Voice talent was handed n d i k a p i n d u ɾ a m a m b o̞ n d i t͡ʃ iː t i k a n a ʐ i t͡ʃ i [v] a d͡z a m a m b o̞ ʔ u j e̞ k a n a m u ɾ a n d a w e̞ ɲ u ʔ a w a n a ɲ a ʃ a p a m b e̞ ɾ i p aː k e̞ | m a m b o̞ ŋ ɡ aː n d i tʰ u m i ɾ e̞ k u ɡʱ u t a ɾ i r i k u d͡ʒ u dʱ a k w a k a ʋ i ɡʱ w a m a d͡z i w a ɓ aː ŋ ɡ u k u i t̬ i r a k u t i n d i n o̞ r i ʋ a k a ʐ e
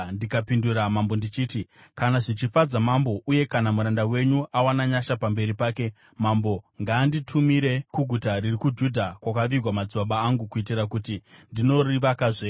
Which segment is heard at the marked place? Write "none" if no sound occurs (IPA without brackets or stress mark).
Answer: f